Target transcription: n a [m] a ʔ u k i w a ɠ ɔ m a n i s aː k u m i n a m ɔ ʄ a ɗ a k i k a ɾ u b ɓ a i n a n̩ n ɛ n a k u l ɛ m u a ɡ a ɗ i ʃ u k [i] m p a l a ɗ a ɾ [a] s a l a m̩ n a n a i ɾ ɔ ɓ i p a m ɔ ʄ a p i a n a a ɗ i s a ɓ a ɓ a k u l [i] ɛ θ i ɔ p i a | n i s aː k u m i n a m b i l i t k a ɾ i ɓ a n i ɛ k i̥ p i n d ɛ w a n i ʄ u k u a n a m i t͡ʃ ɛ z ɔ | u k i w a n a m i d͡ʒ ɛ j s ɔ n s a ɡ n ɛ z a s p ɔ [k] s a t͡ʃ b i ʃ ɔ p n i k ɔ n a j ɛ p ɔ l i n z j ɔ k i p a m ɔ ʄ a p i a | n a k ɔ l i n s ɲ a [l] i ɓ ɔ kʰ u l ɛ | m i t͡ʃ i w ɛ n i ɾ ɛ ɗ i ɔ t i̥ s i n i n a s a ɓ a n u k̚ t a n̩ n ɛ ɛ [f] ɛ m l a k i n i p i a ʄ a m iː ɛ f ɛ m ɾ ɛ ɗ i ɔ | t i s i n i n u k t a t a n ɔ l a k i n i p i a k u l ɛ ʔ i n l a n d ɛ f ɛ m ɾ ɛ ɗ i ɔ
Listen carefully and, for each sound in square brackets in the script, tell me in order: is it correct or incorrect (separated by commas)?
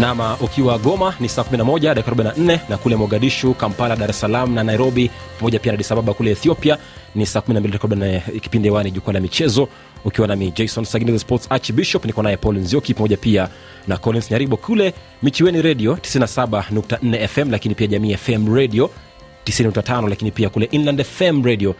correct, incorrect, incorrect, incorrect, incorrect, incorrect, correct